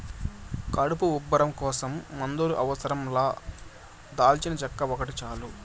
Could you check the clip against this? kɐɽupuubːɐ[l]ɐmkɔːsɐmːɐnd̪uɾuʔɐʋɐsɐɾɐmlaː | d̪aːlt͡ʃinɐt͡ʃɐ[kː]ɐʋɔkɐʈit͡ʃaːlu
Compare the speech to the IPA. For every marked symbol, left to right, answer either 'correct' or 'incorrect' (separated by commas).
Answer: incorrect, correct